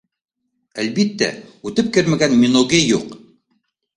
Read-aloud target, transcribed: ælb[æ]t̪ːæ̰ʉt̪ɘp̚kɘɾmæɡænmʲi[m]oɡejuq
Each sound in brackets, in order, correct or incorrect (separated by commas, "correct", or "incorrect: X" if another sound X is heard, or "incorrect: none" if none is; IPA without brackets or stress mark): incorrect: i, incorrect: n